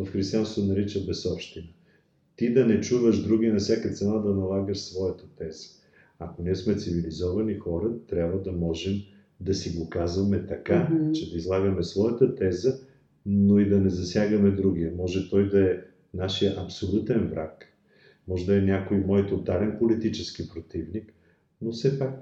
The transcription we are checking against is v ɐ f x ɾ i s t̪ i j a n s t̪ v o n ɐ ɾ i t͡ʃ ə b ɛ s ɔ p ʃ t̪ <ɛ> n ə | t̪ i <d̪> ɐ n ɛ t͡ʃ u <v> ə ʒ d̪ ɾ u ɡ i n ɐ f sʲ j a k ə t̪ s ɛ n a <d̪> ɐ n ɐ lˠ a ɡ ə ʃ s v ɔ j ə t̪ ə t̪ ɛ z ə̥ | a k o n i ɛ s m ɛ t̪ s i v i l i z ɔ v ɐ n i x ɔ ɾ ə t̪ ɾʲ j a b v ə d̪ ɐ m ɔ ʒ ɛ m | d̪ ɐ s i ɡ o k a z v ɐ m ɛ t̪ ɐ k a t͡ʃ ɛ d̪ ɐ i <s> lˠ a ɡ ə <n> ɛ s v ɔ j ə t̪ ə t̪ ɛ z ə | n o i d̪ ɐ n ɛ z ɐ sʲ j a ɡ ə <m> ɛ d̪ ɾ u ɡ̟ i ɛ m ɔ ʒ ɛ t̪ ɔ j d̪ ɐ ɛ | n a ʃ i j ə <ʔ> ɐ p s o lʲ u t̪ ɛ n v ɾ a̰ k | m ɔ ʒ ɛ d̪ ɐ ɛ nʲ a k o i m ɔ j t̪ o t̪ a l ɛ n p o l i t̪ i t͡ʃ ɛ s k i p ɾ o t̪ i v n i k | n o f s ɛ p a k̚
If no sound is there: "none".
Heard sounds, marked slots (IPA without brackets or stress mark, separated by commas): i, d̪, v, d̪, z, m, m, ʔ